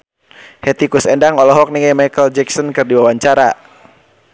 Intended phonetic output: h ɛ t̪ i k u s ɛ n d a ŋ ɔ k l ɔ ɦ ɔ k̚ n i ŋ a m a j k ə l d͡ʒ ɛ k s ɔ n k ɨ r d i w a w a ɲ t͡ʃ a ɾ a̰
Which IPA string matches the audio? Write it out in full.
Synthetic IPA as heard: h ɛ t̪ i k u s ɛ n d a ŋ ɔ l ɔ ɦ ɔ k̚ n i ŋ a m a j k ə l d͡ʒ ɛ k s ɔ n k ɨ r d i w a w a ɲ t͡ʃ a ɾ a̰